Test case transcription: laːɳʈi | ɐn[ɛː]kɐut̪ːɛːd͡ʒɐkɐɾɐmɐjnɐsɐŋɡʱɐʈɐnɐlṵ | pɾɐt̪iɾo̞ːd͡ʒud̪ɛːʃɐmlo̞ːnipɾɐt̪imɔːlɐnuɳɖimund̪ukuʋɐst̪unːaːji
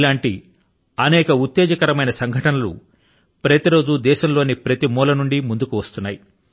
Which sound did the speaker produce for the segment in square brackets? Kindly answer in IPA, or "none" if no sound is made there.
ɛː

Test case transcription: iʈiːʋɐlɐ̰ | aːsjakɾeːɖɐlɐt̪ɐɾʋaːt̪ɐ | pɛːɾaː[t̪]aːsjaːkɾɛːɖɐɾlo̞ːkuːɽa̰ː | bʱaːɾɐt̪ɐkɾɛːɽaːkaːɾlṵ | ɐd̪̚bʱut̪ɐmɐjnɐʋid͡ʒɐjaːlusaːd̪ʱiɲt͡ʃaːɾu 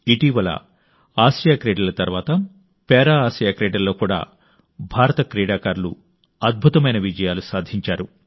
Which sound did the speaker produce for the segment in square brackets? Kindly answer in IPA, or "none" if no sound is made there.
none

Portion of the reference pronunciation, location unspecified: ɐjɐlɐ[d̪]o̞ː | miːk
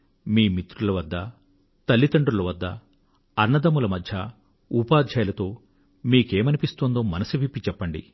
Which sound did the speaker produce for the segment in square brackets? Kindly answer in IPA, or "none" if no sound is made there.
t̪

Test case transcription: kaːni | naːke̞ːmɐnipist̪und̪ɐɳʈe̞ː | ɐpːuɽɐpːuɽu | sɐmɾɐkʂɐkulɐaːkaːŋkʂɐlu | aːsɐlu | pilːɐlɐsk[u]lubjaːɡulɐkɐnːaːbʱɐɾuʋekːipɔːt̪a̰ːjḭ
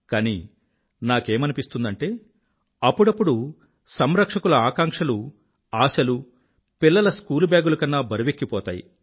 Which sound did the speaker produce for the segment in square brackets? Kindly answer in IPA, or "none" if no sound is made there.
uː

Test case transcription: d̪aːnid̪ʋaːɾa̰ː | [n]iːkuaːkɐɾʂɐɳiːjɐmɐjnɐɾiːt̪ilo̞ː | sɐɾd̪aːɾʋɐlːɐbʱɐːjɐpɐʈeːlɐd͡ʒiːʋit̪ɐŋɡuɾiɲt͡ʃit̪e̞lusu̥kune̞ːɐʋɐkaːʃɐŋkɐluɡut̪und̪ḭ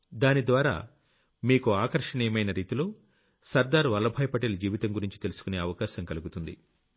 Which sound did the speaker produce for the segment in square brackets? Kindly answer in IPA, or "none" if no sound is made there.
m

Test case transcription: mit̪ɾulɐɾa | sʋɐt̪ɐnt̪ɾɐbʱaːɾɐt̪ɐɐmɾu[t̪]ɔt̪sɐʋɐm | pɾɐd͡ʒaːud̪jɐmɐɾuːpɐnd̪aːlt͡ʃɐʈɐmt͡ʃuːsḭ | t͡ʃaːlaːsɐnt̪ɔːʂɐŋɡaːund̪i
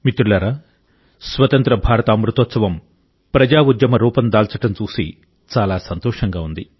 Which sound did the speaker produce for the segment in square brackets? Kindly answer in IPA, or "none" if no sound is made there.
t̪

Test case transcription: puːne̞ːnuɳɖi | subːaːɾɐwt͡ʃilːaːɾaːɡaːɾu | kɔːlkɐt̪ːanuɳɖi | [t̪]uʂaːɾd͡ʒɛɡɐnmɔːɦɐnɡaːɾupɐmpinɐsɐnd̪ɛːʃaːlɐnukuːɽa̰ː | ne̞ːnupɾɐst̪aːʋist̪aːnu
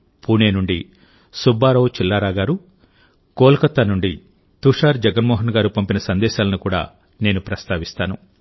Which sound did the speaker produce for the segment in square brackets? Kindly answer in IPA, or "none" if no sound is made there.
t̪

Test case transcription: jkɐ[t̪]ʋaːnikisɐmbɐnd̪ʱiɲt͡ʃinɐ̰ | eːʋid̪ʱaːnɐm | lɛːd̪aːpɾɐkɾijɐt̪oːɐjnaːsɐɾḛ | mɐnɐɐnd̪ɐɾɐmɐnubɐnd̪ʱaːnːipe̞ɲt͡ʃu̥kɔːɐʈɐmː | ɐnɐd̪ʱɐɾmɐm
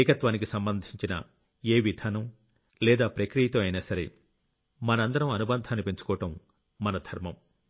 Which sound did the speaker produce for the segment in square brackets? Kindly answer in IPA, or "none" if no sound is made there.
t̪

